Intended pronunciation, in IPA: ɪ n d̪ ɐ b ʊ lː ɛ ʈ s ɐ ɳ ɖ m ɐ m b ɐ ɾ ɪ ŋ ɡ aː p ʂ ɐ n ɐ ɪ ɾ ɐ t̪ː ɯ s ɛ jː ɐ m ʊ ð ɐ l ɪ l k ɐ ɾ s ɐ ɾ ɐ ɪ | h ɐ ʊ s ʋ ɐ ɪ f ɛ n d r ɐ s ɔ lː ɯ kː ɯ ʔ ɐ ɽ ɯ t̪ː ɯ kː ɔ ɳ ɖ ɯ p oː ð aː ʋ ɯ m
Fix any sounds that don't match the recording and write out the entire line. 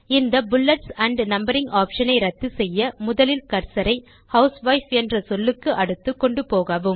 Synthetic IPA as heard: ɪ n d̪ ɐ b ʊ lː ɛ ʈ s ɐ ɳ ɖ n ɐ m b ɐ ɾ ɪ ŋ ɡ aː p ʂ ɐ n ɐ ɪ ɾ ɐ t̪ː ɯ s ɛ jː ɐ m ʊ ð ɐ l ɪ l k ɐ ɾ s ɐ ɾ ɐ ɪ | h ɐ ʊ s ʋ ɐ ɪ f ɛ n d r ɐ s ɔ lː ɯ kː ɯ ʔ ɐ ɽ ɯ t̪ː ɯ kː ɔ ɳ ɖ ɯ p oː ɣ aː ʋ ɯ m